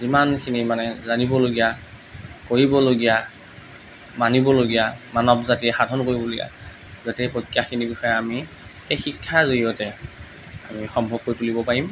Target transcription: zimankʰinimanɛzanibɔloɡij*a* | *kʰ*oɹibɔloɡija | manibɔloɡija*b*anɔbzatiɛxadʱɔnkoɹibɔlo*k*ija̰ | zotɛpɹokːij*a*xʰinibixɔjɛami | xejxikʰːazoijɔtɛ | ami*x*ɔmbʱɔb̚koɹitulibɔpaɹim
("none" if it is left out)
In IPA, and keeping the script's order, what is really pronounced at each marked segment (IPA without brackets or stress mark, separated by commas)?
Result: a, k, m, ɡ, a, x